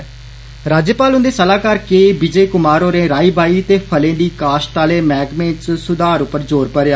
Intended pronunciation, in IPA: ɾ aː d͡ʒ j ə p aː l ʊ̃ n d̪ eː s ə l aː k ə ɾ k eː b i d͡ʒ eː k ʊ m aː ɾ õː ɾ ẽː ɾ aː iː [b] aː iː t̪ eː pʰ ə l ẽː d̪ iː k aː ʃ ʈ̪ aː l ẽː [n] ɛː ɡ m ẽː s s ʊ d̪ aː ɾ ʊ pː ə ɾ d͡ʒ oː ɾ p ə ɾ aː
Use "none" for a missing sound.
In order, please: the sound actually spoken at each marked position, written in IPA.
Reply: b, m

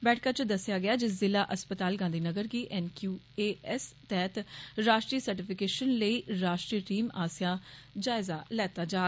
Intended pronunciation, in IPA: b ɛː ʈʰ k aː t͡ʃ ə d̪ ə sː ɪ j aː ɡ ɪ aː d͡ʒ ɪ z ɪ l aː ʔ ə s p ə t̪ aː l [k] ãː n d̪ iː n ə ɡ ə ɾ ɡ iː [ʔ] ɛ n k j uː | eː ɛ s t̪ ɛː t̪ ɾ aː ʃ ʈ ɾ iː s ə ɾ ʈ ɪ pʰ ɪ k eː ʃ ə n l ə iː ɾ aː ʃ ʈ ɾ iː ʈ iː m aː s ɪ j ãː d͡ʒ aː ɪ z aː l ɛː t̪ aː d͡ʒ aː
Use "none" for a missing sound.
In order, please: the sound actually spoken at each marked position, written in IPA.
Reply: ɡ, ʔ

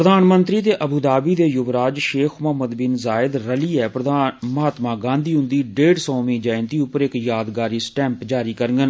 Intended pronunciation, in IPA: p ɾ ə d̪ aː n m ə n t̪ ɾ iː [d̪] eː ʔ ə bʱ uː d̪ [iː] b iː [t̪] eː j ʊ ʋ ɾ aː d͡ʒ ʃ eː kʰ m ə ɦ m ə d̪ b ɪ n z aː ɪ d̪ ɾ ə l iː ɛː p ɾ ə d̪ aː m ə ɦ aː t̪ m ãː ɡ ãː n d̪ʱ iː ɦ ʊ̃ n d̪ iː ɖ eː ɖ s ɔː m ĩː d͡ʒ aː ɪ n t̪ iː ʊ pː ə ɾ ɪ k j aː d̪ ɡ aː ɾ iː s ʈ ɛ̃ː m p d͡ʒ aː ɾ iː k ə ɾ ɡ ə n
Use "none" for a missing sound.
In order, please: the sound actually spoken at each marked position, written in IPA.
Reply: t̪, aː, d̪

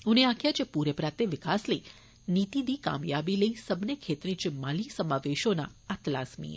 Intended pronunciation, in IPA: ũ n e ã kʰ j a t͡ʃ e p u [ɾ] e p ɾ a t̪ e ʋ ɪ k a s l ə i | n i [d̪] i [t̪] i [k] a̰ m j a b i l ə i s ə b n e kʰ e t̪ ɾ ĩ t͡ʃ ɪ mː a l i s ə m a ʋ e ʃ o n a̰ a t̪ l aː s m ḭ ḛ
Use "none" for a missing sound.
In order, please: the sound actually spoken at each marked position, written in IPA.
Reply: ɾ, t̪, d̪, k

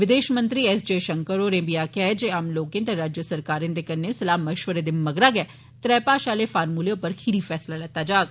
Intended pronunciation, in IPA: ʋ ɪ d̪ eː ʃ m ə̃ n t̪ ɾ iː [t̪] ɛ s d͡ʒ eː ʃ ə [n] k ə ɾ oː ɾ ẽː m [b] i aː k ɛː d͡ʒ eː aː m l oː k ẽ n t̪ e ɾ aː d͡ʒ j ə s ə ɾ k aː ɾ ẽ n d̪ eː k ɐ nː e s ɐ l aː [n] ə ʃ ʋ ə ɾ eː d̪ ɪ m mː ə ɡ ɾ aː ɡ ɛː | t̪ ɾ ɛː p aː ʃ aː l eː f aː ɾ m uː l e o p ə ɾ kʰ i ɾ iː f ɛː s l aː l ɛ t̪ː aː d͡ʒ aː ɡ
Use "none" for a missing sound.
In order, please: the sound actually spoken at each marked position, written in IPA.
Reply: none, ŋ, b, m

